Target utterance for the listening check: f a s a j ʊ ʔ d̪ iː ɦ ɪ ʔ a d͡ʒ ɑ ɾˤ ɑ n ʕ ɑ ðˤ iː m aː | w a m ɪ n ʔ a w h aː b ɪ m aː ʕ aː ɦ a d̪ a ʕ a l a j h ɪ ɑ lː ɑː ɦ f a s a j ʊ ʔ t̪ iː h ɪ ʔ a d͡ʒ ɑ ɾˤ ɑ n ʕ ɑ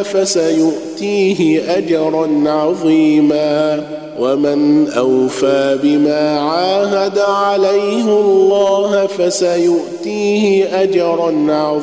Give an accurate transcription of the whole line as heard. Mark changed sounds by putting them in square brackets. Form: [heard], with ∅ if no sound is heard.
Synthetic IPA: f a s a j ʊ ʔ [t̪] iː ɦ ɪ ʔ a d͡ʒ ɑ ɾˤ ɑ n ʕ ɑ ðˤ iː m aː | w a m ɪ n ʔ a w [f] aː b ɪ m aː ʕ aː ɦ a d̪ a ʕ a l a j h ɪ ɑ lː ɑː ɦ f a s a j ʊ ʔ t̪ iː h ɪ ʔ a d͡ʒ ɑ ɾˤ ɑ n ʕ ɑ